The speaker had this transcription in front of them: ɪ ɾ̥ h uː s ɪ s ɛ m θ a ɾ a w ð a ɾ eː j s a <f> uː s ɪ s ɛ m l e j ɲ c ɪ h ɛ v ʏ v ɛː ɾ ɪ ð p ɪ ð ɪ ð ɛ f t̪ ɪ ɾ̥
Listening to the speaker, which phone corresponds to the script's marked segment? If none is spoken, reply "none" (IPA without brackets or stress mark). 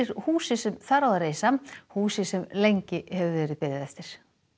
h